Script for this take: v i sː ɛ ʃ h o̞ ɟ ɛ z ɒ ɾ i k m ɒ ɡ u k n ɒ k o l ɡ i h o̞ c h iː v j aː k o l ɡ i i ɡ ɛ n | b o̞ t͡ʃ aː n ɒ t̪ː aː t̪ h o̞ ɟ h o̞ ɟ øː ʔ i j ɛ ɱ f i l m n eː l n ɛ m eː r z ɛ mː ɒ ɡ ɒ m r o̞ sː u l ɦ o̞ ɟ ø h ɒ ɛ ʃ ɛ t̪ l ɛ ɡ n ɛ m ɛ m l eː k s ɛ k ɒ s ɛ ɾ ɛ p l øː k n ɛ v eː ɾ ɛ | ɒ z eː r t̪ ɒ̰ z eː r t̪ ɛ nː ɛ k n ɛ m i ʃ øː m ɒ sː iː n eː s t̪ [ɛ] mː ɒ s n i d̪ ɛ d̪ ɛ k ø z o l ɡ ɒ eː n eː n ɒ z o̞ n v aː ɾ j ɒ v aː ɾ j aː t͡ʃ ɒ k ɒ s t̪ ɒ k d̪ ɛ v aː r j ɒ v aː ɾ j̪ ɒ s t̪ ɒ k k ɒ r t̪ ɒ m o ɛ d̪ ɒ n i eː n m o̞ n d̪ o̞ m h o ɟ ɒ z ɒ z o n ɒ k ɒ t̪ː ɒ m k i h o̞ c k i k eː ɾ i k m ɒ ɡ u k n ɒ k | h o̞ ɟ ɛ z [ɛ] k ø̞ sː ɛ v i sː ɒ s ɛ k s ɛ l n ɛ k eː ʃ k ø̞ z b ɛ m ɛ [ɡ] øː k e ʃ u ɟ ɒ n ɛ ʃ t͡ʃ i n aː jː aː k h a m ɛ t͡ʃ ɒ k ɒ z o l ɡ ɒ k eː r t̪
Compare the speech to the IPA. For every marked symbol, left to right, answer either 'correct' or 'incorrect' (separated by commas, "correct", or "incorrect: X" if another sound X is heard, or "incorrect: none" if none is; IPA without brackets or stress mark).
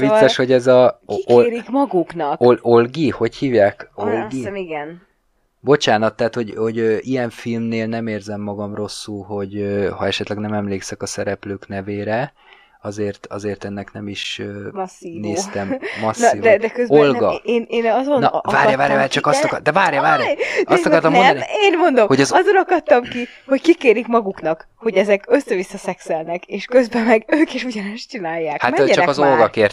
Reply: correct, correct, correct